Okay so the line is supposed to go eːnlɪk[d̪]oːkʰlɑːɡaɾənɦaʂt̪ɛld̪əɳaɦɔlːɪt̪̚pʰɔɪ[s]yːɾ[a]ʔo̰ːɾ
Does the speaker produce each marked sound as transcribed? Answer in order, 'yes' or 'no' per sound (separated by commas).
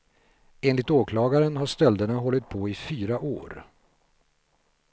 no, no, yes